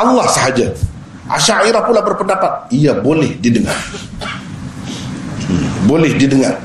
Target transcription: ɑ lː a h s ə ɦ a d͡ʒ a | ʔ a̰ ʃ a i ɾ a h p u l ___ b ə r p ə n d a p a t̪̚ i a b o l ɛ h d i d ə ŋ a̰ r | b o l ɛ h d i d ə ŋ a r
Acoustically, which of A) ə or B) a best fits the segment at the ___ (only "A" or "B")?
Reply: B